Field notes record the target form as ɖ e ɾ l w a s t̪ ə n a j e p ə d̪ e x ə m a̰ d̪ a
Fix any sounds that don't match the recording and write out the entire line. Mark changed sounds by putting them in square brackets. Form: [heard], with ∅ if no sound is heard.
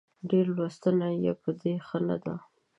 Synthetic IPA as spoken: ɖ e ɾ l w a s t̪ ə n a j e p ə d̪ e x ə [n] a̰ d̪ a